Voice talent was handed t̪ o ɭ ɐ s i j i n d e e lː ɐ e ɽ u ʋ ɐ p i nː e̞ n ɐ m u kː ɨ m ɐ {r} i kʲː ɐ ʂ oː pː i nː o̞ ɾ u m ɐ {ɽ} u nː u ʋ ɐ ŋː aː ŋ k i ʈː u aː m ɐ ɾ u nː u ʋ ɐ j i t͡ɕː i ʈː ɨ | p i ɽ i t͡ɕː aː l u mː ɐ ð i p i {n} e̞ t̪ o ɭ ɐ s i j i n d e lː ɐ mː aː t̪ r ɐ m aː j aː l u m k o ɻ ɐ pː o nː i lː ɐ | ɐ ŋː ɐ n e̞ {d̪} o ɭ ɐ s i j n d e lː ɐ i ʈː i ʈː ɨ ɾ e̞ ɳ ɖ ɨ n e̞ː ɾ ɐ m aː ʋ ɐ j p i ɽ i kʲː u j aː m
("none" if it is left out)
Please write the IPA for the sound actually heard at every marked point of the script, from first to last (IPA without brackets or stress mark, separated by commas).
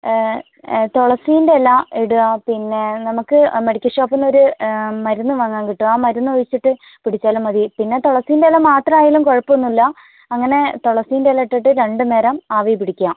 ɽ, ɾ, nː, t̪